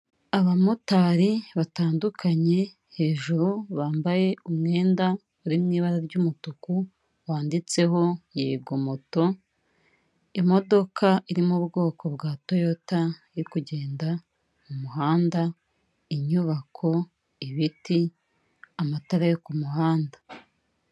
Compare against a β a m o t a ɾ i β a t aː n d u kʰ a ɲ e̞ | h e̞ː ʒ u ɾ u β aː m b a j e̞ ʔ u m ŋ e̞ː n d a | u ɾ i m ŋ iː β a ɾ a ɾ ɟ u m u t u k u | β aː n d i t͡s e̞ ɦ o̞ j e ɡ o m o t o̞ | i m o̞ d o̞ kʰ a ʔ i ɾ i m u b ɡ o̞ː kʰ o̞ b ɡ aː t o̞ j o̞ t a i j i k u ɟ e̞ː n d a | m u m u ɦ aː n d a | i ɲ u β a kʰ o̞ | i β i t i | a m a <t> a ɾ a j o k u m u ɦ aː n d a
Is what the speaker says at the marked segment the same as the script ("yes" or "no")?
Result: yes